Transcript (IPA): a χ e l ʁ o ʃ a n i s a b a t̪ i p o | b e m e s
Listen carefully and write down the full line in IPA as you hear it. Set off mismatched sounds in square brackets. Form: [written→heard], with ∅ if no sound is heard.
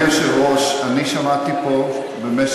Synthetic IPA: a [χ→ʃ] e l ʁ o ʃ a n i [s→ʃ] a [b→m] a t̪ i p o | b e m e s

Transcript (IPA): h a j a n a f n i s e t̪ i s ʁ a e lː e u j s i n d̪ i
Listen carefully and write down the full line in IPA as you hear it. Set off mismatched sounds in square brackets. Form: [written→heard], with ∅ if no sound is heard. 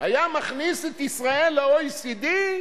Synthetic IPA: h a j a [n→m] a [f→χ] n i s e t̪ i s ʁ a e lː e [u→o] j s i [n→∅] d̪ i

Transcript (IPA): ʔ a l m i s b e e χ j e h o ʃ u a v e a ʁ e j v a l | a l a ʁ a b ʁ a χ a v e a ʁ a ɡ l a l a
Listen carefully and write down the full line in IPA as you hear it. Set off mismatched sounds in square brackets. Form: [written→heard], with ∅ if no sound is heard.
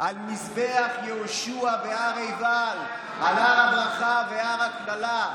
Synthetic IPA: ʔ a l m i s b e [e→a] χ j e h o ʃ u a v e a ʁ e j v a l | a l a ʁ a b ʁ a χ a v e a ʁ a [ɡ→k] l a l a

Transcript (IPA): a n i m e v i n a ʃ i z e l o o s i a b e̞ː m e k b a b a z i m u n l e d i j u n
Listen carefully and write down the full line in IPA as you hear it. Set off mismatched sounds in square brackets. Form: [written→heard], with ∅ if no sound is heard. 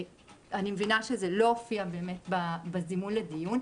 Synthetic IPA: a n i m e v i n a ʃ [i→e] z e l o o [s→f] i a b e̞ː m e [k→t] b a b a z i m u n l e d i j u n

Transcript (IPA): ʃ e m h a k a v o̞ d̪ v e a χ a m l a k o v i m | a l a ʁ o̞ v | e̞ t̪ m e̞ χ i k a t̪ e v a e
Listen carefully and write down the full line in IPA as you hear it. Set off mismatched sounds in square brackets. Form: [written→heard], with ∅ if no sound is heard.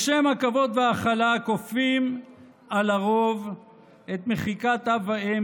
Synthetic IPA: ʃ e m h a k a v o̞ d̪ v e a χ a [m→∅] l a k o [v→f] i m | a l a ʁ o̞ v | e̞ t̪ m e̞ χ i k a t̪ [e→a] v a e

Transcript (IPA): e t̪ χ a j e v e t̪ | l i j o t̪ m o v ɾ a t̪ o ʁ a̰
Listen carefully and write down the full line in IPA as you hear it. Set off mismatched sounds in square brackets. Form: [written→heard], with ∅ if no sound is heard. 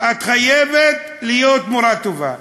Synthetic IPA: [e→a] t̪ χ a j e v e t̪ | l i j o t̪ m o [v→∅] ɾ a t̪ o [ʁ→v] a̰

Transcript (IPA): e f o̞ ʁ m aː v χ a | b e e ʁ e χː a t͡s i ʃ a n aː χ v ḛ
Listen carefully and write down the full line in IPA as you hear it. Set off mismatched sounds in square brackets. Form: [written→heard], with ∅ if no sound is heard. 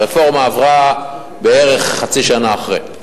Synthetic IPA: e f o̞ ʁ m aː v [χ→ʁ] a | b e e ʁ e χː a t͡s i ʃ a n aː χ [v→ʁ] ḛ

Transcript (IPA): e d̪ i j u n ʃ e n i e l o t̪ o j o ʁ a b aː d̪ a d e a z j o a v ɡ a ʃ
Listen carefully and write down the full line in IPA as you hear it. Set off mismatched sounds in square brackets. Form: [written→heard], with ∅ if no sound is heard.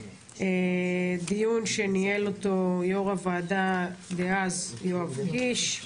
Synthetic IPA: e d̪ i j u n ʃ e n i e l o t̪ o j o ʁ a [b→v] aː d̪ a d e a z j o a v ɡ [a→i] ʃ

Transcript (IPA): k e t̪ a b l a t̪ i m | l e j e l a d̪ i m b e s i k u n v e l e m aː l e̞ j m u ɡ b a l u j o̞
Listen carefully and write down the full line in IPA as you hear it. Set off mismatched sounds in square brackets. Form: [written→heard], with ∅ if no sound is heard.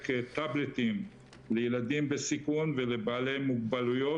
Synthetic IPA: k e t̪ a b l [a→e] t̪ i m | l e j e l a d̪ i m b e s i k u n v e l e [m→b] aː l e̞ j m u ɡ b a l u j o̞

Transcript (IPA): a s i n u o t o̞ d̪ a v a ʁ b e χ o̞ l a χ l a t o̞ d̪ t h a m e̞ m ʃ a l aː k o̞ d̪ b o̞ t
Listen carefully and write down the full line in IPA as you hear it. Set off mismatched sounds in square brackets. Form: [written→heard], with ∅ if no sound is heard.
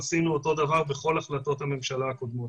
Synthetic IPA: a s i n u o t o̞ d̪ a v a ʁ b e χ o̞ l a χ l a t o̞ [d̪→∅] t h a m e̞ m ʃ a l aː k o̞ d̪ [b→m] o̞ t

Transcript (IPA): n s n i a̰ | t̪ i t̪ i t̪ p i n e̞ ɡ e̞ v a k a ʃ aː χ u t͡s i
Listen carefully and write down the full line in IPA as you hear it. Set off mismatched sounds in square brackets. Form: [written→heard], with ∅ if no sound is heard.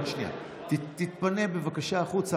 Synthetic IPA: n [s→ʃ] n i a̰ | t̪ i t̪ i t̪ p [i→a] n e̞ [ɡ→b] e̞ v a k a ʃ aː χ u t͡s [i→a]

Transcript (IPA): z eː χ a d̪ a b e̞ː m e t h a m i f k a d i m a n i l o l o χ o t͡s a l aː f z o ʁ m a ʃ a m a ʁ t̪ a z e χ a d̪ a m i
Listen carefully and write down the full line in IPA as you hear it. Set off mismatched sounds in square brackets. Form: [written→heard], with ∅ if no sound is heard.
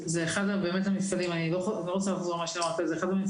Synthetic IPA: z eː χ a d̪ a b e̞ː m e t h a m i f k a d i m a n i l o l o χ o t͡s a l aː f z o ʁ m a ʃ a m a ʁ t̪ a z e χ a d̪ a m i

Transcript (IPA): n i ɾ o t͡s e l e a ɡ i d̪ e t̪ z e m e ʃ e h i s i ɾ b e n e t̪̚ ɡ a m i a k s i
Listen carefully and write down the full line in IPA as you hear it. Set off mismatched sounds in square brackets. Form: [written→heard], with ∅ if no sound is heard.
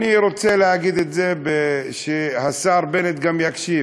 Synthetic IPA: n i ɾ o t͡s e l e a ɡ i d̪ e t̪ z e [m→b] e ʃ e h [i→a] s [i→a] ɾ b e n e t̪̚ ɡ a m [i→j] a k [s→ʃ] i

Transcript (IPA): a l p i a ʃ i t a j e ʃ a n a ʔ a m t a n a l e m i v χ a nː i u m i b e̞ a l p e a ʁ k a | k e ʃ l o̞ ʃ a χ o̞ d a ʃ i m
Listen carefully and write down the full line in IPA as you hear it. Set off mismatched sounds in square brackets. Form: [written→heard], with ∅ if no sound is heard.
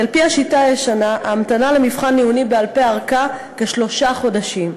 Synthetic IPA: a l p i a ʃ i t a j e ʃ a n a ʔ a m t a n a l e m i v χ a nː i u [m→n] i b e̞ a l p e a ʁ k a | k e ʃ l o̞ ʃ a χ o̞ d a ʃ i m

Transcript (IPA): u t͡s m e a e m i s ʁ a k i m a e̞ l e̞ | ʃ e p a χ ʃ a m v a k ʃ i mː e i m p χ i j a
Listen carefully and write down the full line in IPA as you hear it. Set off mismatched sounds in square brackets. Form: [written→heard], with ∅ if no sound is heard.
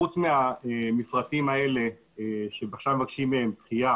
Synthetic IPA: u t͡s m e a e m i [s→f] ʁ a [k→t] i m a e̞ l e̞ | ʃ e [p→b] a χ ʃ a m v a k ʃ i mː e [i→e] m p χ i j a

